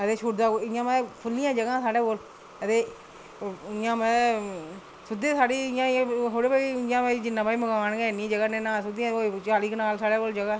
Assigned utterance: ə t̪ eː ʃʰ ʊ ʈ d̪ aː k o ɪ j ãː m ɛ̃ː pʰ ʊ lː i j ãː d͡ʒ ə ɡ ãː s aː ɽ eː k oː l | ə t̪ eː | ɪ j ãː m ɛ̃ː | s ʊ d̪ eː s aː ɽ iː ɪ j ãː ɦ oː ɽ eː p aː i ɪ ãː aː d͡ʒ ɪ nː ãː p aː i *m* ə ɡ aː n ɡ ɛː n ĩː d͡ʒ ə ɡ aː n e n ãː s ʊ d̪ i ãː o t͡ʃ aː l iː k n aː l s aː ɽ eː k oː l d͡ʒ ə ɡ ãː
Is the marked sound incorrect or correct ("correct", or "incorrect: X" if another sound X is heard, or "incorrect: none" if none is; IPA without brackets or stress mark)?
correct